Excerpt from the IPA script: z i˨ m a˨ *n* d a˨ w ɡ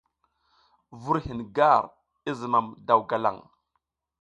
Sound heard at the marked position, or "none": m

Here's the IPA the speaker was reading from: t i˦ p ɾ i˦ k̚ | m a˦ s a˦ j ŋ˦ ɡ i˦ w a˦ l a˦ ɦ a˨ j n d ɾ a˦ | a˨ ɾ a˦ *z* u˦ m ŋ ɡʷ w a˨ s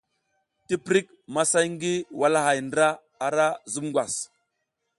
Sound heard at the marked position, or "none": z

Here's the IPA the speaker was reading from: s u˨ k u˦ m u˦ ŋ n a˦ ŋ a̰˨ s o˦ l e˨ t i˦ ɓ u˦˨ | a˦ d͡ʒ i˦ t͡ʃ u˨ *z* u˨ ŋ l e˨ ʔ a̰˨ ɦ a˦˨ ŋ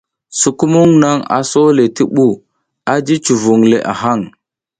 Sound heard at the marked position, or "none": v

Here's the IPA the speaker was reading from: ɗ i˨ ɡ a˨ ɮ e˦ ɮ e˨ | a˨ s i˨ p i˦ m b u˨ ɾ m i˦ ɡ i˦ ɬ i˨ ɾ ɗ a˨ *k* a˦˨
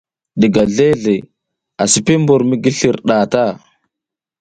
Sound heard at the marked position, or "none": t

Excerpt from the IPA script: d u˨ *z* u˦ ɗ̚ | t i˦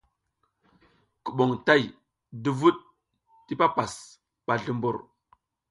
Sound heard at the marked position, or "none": v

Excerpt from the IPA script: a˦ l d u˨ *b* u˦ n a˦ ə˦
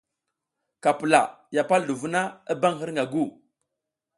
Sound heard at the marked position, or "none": v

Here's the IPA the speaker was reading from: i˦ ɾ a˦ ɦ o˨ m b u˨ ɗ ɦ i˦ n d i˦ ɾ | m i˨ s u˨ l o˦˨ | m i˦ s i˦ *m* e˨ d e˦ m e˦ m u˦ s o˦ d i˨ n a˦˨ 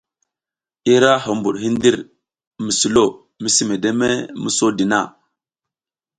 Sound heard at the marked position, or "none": m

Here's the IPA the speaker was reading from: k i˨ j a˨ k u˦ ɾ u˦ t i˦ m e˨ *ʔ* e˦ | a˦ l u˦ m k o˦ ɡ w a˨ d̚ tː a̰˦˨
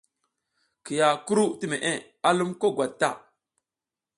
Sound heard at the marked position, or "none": ʔ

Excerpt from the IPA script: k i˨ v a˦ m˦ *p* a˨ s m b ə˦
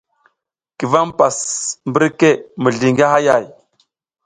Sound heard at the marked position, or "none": p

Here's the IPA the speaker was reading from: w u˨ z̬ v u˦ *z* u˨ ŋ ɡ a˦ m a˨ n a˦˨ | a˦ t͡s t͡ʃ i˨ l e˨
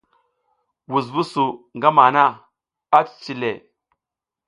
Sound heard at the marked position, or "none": s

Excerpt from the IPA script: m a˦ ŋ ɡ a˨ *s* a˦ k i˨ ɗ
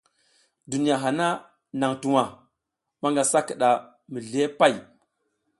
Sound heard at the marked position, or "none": s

